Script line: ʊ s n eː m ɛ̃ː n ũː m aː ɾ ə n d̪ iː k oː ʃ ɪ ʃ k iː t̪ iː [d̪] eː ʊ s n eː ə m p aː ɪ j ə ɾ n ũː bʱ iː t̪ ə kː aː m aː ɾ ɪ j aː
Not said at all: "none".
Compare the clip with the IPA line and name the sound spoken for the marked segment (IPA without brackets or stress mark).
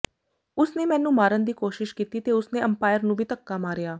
t̪